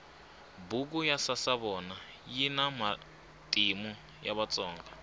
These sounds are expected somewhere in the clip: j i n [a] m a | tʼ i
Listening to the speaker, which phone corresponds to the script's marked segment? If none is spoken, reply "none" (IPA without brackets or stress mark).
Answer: a